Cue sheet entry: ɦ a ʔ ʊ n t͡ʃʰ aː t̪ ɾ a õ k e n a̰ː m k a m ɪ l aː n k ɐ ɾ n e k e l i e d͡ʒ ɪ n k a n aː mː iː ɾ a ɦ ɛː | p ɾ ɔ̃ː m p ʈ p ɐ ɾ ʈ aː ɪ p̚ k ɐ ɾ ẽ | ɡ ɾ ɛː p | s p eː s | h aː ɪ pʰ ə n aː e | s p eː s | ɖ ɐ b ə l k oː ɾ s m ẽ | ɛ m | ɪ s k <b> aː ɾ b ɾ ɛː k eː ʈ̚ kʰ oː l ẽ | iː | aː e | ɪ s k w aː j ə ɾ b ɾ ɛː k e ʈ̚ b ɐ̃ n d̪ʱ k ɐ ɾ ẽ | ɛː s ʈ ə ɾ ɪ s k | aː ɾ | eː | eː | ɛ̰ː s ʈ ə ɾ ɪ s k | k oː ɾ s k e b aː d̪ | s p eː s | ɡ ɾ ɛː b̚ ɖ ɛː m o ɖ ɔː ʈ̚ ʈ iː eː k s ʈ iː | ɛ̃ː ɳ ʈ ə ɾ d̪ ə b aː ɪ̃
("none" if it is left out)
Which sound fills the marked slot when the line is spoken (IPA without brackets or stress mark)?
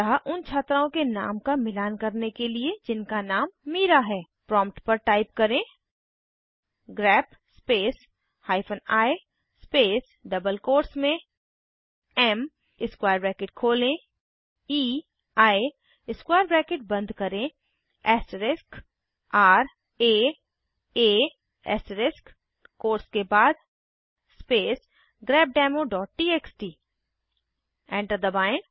w